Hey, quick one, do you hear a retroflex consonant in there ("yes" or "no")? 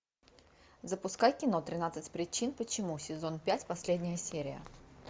no